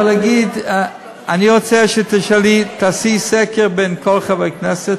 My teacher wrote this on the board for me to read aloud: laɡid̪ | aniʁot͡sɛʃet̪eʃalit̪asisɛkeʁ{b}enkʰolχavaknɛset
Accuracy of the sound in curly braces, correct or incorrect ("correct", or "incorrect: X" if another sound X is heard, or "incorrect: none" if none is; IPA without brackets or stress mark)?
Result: correct